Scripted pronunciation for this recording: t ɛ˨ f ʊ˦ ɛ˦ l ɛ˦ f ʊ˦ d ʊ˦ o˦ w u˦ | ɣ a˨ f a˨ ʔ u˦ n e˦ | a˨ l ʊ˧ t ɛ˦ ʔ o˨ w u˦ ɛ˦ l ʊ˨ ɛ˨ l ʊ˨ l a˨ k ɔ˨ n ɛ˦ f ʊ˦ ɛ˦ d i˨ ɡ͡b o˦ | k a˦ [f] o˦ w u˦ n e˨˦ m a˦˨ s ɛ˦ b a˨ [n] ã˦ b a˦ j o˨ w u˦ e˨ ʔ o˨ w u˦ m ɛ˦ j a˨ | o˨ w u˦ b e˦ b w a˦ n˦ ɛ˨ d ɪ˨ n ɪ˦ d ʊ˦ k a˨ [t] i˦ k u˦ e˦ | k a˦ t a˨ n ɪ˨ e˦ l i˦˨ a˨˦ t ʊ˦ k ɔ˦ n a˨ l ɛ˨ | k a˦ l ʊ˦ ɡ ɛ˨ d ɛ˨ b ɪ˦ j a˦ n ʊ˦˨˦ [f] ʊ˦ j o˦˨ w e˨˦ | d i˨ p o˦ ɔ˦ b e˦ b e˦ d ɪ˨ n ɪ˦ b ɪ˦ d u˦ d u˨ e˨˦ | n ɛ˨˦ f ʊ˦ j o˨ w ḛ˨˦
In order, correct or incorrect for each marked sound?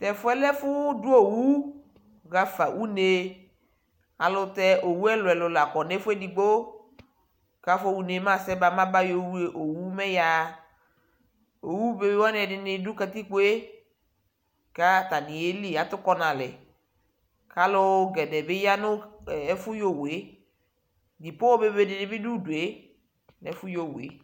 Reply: correct, incorrect: m, correct, correct

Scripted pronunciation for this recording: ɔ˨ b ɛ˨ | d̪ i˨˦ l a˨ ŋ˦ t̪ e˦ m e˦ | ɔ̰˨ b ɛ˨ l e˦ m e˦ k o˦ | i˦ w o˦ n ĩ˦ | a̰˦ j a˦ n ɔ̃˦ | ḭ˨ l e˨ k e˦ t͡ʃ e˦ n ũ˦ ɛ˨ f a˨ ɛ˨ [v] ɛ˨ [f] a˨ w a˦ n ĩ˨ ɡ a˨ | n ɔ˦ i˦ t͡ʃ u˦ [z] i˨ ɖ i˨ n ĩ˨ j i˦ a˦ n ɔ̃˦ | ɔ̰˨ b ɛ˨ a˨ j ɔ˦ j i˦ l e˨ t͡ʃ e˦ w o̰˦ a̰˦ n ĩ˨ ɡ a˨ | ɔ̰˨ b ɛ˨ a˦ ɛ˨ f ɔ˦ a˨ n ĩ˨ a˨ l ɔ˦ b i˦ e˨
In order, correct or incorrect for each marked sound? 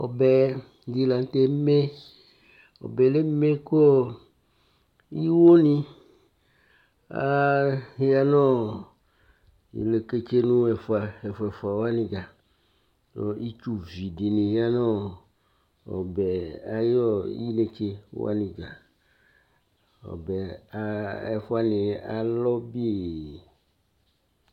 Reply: incorrect: f, correct, incorrect: v

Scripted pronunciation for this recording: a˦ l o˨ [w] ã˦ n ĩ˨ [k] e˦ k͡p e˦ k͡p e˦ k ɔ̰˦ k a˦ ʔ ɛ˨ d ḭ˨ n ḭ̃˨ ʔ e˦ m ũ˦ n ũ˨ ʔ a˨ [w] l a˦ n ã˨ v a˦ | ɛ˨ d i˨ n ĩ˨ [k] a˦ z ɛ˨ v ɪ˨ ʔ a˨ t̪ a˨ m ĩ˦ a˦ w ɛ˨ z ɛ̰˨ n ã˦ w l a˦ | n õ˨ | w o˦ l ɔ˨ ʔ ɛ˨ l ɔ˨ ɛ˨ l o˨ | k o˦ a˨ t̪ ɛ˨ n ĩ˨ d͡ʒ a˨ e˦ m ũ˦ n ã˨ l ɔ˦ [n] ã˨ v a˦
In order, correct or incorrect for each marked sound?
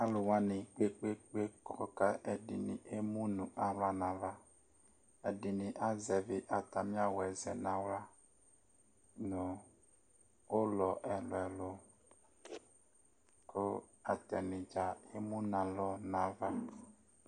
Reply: correct, incorrect: k͡p, correct, incorrect: ʔ, correct

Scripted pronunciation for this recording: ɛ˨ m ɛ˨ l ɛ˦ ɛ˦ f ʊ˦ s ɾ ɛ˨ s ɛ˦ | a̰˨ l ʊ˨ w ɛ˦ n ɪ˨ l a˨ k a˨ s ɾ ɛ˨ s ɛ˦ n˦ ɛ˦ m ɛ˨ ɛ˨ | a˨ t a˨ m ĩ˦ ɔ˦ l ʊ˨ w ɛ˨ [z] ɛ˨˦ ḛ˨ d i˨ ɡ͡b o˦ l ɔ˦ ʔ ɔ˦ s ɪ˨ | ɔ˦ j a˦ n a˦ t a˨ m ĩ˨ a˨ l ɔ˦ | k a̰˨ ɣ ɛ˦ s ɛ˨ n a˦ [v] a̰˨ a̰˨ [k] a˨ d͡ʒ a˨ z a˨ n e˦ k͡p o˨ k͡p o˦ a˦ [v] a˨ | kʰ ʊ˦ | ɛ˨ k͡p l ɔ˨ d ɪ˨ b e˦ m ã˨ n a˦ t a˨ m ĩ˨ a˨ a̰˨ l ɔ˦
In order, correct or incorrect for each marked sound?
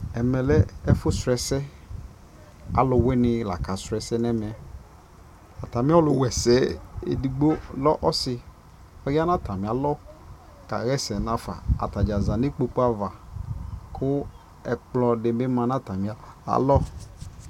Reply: incorrect: s, incorrect: f, incorrect: t, correct

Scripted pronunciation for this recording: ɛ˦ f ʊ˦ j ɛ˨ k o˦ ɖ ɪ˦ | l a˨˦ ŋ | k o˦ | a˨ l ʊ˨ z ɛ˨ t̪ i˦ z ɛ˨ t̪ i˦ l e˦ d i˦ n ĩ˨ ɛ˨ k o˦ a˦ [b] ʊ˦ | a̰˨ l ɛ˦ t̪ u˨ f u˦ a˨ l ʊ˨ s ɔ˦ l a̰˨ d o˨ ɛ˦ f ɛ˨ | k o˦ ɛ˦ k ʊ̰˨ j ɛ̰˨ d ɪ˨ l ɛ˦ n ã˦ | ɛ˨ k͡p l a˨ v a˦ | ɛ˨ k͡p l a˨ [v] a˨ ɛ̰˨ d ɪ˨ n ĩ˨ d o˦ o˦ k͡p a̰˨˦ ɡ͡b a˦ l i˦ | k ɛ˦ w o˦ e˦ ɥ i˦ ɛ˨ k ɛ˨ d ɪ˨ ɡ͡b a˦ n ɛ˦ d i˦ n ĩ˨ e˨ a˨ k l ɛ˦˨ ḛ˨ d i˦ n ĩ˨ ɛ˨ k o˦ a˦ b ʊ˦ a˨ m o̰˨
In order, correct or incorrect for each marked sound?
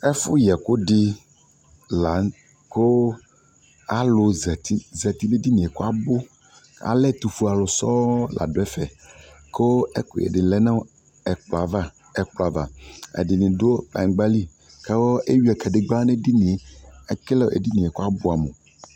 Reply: correct, correct

